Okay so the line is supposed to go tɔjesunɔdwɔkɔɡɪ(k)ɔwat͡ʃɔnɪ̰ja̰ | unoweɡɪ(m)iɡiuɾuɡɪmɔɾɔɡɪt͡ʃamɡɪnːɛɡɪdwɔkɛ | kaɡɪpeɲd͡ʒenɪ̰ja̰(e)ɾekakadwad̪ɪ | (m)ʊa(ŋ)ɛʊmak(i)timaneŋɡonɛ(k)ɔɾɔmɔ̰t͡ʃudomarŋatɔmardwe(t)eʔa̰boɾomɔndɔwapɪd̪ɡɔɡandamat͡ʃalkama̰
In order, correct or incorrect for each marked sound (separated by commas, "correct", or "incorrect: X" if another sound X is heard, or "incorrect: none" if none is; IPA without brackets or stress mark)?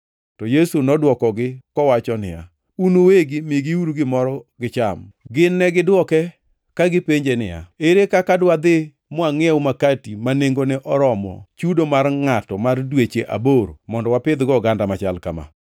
correct, correct, correct, correct, correct, incorrect: a, incorrect: ʔ, incorrect: t͡ʃ